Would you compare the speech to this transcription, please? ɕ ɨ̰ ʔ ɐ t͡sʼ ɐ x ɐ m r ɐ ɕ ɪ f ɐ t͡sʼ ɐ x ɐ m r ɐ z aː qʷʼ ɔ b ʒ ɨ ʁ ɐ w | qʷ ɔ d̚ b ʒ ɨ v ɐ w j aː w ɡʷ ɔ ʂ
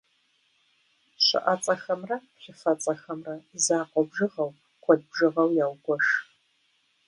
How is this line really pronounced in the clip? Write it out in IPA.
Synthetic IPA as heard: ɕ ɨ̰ ʔ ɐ t͡sʼ ɐ x ɐ m r ɐ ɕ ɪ f ɐ t͡sʼ ɐ x ɐ m r ɐ z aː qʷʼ ɔ b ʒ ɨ ʁ ɐ w | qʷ ɔ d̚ b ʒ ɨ ʁ ɐ w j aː w ɡʷ ɔ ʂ